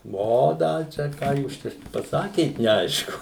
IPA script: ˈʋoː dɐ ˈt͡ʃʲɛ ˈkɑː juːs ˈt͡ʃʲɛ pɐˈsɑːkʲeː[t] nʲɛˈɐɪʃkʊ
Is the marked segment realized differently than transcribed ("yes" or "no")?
no